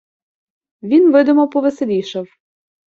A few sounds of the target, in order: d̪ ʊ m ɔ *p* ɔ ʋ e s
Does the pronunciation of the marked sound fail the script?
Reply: no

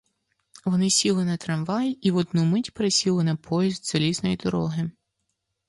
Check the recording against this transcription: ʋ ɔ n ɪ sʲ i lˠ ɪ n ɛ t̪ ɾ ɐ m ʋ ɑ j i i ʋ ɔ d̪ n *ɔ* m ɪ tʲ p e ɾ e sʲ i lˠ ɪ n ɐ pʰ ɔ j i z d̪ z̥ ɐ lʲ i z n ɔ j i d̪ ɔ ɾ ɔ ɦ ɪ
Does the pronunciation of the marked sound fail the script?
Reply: yes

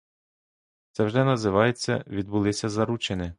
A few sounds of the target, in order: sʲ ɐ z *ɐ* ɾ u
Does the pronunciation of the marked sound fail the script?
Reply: no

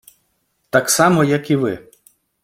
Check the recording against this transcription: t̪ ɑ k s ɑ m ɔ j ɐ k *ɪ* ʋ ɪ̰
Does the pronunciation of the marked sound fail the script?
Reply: yes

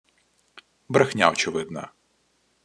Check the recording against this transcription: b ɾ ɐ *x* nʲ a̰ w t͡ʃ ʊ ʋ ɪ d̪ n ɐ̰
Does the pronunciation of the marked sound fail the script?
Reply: no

